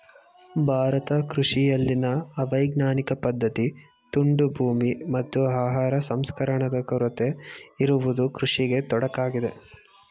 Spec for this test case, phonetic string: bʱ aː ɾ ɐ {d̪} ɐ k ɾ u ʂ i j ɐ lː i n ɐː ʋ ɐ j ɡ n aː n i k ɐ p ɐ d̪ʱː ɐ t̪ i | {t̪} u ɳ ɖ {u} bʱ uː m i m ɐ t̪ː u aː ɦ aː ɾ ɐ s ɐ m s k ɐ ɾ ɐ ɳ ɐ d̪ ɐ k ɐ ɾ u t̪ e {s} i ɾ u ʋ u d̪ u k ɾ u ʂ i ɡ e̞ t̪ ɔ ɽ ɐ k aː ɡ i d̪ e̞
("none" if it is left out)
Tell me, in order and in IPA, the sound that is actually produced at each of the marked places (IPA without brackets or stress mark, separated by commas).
t̪, t̪, u, none